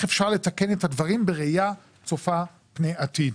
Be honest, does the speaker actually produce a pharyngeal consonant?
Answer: no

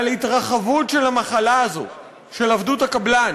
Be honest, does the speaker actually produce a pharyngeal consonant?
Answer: no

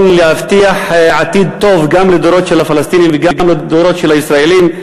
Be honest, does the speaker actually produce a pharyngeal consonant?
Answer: yes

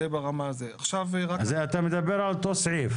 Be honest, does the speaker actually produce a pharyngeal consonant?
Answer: yes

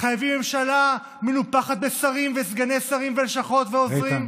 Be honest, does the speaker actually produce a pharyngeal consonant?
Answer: no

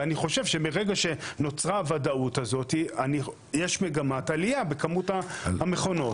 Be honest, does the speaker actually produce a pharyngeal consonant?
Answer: no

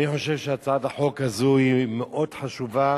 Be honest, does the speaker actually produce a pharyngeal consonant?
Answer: yes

